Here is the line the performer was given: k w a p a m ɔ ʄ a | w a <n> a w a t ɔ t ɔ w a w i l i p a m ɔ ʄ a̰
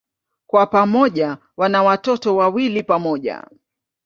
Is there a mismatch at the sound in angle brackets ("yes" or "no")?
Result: no